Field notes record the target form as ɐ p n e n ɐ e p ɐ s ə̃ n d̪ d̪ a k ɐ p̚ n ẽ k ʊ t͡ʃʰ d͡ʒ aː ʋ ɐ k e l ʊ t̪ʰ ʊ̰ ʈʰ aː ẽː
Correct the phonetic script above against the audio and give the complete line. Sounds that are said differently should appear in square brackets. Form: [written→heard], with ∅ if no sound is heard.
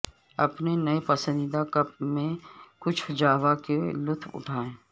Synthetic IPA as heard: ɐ p n e n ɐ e p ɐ s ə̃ n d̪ d̪ a k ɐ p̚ [n→m] ẽ k ʊ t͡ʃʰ d͡ʒ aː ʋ [ɐ→a] k e l ʊ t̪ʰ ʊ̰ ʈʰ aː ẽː